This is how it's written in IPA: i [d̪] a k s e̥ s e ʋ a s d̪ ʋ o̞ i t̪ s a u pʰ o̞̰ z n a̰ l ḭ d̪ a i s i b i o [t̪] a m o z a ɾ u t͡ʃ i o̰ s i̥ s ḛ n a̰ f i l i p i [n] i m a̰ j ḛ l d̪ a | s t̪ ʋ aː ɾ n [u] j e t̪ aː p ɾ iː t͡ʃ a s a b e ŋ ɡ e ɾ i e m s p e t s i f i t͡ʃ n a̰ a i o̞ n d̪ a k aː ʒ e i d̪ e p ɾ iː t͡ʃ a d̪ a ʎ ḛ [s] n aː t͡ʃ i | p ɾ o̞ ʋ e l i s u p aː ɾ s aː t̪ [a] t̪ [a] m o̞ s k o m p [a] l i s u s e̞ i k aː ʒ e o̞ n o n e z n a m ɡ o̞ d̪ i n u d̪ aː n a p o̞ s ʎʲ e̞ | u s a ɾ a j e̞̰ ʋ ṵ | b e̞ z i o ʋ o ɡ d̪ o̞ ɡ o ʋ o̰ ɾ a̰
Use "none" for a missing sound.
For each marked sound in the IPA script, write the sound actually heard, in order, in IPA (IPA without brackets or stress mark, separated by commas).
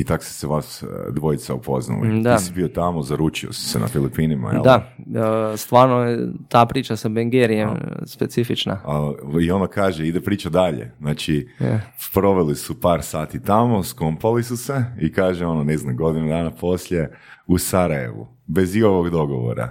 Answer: t̪, t̪, n, o, z, i, a, a